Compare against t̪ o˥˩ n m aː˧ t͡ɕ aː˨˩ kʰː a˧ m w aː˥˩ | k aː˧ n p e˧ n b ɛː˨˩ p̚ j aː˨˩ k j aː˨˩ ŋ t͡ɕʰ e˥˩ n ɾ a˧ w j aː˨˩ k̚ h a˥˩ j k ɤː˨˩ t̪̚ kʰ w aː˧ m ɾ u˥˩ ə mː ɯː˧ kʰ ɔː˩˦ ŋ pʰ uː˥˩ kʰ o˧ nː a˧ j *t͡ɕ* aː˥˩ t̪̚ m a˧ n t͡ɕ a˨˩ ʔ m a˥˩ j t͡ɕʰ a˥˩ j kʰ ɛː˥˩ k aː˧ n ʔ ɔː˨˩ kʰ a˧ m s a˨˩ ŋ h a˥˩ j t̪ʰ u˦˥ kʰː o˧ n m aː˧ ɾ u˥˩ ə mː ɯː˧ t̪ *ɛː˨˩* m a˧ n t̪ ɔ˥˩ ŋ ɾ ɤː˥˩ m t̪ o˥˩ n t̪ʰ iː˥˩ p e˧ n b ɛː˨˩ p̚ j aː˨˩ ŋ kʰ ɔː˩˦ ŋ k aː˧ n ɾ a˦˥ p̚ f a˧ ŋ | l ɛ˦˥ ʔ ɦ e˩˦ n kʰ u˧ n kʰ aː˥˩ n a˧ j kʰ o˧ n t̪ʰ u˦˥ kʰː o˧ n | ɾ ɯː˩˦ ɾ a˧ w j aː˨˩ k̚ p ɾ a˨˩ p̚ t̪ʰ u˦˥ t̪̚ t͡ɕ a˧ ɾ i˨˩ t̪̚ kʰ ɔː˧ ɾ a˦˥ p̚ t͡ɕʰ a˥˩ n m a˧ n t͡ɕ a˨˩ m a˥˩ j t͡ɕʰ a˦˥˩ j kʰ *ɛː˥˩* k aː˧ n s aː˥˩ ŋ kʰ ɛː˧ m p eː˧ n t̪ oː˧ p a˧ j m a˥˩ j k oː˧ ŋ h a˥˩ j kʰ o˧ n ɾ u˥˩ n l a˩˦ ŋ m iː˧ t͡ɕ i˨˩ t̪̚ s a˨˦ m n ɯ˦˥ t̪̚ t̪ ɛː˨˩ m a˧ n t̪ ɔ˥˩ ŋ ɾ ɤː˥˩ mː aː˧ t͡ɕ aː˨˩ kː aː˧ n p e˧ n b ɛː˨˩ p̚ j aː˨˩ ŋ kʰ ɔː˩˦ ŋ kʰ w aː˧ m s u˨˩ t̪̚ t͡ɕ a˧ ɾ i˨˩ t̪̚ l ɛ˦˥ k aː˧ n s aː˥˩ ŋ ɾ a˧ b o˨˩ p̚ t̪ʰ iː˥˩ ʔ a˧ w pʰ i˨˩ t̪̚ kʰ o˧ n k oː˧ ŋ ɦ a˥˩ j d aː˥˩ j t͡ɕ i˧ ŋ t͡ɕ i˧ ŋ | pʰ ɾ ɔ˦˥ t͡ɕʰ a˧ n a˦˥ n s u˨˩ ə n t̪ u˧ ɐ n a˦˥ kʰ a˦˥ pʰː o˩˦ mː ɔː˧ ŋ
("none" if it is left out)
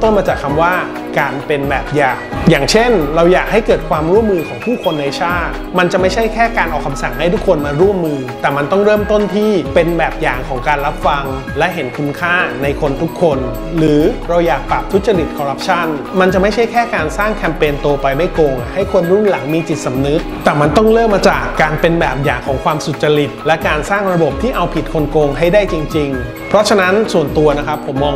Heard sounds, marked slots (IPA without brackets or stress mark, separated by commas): t͡ɕʰ, ɛː˨˩, ɛː˥˩